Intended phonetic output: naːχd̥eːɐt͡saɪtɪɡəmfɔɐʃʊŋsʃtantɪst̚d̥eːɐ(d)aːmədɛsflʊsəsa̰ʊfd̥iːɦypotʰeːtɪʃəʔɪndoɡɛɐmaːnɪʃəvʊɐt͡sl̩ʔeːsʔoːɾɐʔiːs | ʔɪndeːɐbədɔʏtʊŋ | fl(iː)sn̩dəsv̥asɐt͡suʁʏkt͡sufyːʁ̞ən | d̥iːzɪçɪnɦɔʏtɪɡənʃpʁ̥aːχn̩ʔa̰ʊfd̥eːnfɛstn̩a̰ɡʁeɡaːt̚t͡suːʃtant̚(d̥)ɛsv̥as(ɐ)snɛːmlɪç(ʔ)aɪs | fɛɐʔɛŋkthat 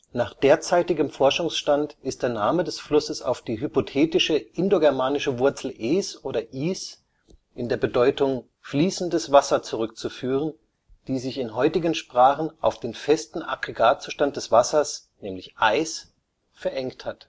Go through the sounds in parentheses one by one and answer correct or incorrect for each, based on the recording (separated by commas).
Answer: incorrect, correct, correct, correct, correct